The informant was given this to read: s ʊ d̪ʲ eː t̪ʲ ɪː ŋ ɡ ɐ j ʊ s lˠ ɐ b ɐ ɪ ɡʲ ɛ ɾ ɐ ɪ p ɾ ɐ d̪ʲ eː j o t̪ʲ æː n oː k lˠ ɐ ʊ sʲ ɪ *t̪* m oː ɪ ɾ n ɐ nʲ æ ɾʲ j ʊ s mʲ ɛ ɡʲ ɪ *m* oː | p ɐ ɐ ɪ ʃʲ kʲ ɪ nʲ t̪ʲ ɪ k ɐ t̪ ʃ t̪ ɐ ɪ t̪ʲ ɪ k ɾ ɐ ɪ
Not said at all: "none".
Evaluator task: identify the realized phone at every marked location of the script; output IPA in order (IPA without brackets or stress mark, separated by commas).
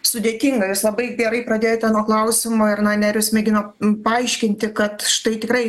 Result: none, n